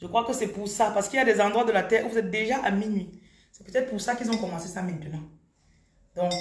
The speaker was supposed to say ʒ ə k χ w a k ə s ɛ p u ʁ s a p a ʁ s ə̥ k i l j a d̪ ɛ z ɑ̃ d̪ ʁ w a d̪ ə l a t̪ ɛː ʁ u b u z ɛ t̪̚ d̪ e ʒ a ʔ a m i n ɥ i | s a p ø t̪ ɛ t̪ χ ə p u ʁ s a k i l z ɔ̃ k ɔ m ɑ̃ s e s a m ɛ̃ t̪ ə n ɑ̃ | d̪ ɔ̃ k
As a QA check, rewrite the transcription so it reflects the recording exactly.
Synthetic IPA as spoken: ʒ ə k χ w a k ə s ɛ p u ʁ s a p a ʁ s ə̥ k i l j a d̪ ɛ z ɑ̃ d̪ ʁ w a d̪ ə l a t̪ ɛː ʁ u v u z ɛ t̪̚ d̪ e ʒ a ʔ a m i n ɥ i | s ɛ p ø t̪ ɛ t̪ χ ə p u ʁ s a k i l z ɔ̃ k ɔ m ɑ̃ s e s a m ɛ̃ t̪ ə n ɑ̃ | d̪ ɔ̃ k